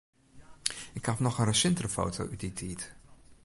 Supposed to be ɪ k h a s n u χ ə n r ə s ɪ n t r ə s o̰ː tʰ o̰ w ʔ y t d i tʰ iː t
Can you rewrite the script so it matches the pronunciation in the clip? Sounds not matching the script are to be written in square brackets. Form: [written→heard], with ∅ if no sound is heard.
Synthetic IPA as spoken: ɪ k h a [s→f] n [u→ɔ] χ ə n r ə s ɪ n t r ə [s→f] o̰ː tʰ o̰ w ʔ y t d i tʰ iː t